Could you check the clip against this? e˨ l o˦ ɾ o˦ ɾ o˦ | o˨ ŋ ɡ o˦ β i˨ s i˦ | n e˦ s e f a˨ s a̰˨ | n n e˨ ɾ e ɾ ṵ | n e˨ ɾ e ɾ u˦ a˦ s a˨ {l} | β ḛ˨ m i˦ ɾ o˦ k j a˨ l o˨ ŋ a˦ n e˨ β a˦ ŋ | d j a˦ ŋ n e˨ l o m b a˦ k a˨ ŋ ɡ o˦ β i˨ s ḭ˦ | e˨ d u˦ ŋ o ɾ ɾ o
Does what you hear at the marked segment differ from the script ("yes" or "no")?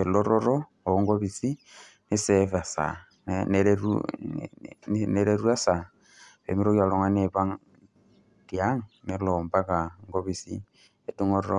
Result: yes